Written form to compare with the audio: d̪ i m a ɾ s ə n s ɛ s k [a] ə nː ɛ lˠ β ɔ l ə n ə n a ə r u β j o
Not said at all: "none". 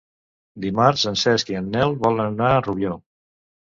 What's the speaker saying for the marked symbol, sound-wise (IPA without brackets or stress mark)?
i